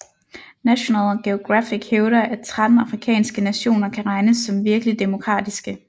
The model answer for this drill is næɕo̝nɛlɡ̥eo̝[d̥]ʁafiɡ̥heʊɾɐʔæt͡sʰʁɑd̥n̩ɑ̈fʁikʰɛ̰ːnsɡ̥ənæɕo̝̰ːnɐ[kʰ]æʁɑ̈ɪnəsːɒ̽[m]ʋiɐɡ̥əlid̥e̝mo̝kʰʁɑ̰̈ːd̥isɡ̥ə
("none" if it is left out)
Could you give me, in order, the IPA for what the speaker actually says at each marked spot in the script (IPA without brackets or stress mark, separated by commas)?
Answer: ɡ̥, kʰ, m